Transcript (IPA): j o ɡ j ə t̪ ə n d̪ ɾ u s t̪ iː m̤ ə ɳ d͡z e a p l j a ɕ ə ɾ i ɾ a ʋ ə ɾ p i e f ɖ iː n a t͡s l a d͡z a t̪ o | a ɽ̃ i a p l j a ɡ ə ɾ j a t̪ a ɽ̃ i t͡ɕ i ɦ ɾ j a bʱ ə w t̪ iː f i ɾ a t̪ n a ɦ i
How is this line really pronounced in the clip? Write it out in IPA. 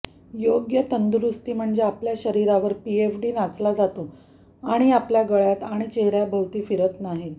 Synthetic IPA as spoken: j o ɡ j ə t̪ ə n d̪ ɾ u s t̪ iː m̤ ə ɳ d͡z e a p l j a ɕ ə ɾ i ɾ a ʋ ə ɾ p i e f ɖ iː n a t͡s l a d͡z a t̪ o | a ɽ̃ i a p l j a ɡ ə ɭ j a t̪ a ɽ̃ i t͡ɕ e ɦ ɾ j a bʱ ə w t̪ iː f i ɾ ə t̪ n a ɦ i